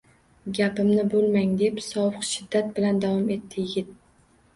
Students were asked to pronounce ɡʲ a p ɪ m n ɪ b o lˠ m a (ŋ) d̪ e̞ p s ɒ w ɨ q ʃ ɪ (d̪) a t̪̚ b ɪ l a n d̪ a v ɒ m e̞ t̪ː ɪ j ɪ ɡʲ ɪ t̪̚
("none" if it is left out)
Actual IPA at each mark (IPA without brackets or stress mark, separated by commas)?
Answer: ŋ, d̪ː